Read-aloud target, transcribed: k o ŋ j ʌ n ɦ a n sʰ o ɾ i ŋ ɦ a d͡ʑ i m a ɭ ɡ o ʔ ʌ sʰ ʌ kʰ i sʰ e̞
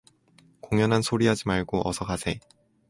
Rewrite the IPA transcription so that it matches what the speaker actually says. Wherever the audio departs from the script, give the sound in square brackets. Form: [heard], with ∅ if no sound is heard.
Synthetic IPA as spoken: k o ŋ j ʌ n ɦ a n sʰ o ɾ i [∅] ɦ a d͡ʑ i m a ɭ ɡ o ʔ ʌ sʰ ʌ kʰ [a] sʰ e̞